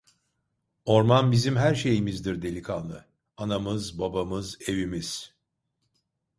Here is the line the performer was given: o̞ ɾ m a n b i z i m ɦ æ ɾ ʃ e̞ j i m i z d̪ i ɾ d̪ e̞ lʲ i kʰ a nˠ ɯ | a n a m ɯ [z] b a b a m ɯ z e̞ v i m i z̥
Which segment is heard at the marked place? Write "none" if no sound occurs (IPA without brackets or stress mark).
z